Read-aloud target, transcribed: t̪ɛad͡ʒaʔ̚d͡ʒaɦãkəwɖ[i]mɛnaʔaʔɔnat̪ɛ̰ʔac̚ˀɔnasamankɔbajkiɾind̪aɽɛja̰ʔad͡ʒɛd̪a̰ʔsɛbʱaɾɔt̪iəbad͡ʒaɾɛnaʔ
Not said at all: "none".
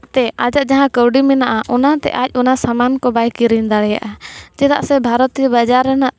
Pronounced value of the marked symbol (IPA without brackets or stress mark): i